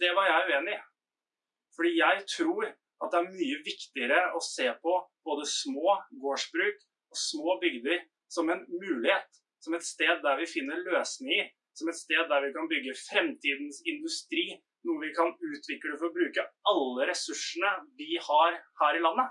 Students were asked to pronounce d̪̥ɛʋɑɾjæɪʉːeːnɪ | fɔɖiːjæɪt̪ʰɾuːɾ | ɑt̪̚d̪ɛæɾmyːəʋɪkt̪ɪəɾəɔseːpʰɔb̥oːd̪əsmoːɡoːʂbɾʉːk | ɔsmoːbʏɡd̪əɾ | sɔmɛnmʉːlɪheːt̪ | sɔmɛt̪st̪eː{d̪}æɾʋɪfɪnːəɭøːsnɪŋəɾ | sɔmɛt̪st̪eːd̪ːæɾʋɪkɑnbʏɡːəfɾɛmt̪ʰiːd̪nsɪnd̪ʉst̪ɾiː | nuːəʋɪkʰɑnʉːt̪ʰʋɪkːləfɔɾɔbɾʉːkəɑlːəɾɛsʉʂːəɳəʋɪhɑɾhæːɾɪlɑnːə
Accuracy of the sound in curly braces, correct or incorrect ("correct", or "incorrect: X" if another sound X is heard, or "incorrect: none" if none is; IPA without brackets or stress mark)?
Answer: incorrect: d̪ː